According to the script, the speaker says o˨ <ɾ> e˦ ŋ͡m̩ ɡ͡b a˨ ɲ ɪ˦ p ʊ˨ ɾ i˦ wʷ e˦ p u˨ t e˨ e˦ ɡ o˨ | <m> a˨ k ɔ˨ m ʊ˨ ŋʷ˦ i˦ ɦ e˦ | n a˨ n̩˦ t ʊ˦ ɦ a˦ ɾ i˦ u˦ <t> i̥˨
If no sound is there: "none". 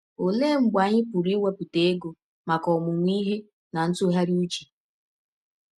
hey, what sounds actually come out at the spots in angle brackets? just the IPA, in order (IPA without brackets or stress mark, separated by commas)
l, m, t͡ʃ